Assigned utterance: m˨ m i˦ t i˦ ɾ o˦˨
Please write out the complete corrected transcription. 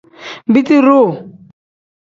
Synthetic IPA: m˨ b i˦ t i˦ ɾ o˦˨